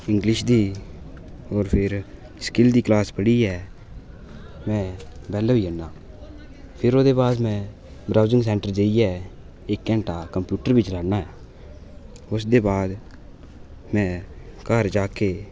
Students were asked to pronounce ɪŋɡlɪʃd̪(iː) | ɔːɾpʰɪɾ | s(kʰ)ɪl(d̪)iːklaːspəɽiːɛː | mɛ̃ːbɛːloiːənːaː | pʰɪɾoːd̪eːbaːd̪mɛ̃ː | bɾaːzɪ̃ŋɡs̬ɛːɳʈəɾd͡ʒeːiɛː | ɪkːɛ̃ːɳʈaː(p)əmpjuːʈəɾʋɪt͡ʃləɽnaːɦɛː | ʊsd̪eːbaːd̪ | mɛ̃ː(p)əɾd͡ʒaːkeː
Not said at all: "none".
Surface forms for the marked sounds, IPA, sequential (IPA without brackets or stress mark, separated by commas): iː, k, d̪, k, k